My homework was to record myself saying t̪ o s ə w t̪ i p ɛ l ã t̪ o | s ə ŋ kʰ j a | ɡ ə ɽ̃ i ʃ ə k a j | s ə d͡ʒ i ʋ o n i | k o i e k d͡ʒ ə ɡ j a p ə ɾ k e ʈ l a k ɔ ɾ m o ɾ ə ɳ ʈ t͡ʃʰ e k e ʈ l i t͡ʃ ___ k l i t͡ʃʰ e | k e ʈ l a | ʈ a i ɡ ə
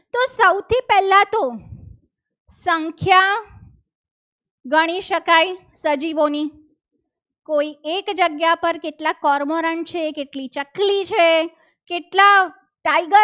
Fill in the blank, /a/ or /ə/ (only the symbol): ə